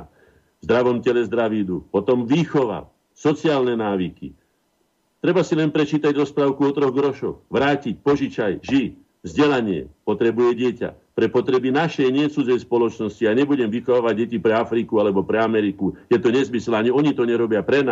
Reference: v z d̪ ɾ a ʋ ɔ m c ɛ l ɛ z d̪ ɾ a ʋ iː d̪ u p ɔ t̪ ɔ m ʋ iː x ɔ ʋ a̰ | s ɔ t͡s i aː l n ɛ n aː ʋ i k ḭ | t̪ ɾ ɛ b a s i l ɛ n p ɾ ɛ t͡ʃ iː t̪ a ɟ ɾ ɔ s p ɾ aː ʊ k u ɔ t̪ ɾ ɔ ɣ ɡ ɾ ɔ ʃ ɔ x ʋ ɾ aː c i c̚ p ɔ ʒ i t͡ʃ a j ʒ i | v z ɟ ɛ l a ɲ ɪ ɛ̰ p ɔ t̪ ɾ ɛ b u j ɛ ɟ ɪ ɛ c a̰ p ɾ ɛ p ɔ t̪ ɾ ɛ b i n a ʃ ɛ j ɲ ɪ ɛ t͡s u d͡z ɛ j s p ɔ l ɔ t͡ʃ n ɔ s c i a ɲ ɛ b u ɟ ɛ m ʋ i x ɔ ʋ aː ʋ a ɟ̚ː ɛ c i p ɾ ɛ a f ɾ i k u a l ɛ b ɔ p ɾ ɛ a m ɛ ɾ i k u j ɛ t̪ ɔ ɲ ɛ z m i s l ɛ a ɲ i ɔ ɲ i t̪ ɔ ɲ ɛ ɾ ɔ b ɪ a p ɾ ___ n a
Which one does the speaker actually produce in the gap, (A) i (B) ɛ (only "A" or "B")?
B